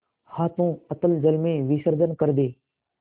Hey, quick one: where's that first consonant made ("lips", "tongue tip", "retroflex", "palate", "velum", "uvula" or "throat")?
throat